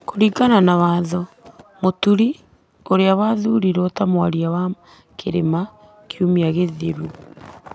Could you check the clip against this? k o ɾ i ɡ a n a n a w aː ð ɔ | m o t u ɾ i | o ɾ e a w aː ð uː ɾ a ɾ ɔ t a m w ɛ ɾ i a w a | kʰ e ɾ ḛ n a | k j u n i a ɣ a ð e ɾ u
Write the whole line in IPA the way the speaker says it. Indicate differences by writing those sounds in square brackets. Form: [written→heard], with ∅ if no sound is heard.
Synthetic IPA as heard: k o ɾ i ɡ a n a n a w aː ð ɔ | m o t u ɾ i | o ɾ e a w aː ð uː ɾ [a→i] ɾ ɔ t a m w [ɛ→a] ɾ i a w a | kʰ e ɾ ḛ [n→m] a | k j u [n→m] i a ɣ [a→e] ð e ɾ u